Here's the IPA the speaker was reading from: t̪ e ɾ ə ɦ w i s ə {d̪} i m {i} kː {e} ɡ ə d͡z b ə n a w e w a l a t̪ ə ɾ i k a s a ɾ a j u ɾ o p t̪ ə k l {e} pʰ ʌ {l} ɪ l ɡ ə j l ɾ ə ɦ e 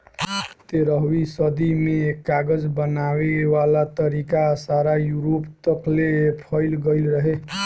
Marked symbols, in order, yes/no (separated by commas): yes, no, no, yes, no